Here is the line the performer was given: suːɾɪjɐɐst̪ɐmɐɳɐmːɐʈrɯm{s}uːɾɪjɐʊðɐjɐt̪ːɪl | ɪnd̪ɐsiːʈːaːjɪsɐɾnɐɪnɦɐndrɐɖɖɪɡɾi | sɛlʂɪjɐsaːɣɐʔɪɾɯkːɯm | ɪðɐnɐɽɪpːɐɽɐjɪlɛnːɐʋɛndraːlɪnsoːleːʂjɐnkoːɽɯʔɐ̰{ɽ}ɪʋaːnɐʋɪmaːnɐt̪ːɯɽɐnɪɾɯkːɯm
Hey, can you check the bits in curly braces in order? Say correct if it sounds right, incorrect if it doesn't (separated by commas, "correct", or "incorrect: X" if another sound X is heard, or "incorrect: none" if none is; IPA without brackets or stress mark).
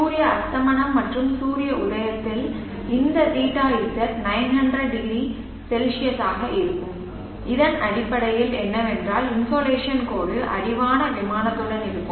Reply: correct, correct